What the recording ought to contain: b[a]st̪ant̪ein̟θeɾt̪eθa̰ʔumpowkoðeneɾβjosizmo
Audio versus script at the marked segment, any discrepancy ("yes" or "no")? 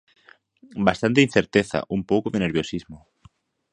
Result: no